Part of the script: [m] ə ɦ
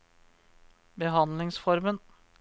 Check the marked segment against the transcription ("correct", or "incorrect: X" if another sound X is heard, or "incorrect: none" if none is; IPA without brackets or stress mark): incorrect: b